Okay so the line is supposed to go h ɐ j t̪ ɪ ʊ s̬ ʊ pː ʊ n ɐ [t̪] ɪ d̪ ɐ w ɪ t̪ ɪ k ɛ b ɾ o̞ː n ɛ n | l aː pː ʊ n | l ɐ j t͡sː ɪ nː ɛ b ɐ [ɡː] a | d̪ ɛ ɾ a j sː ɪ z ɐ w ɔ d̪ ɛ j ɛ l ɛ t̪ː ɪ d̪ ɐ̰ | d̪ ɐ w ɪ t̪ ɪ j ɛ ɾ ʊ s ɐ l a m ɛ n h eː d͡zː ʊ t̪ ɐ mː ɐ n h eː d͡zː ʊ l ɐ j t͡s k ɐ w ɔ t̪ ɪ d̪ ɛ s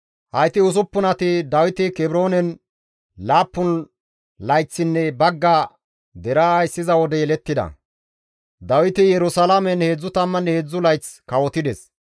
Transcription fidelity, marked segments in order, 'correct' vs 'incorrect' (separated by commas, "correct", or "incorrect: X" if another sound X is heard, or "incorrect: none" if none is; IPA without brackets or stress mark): correct, correct